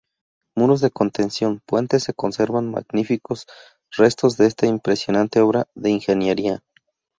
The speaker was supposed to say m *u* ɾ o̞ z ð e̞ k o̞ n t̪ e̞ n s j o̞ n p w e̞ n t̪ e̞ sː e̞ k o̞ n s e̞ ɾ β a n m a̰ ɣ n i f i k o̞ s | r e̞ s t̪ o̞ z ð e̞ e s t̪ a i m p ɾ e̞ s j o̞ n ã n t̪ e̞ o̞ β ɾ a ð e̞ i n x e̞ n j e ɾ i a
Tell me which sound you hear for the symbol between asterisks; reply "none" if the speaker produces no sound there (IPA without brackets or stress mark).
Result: u